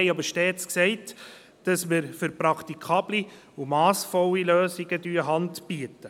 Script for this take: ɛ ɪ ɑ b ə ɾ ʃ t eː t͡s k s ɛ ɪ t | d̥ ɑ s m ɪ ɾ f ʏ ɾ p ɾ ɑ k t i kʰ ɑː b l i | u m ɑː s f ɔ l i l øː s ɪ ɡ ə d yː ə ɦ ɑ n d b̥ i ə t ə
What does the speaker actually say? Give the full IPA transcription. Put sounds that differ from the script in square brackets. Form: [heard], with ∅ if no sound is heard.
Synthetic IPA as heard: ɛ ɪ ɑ b ə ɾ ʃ t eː t͡s k s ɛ ɪ t | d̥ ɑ s m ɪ ɾ f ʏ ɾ p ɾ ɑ k t i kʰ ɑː b l i | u m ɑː s f ɔ l i l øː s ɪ ɡ ə d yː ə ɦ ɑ n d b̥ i ə t ə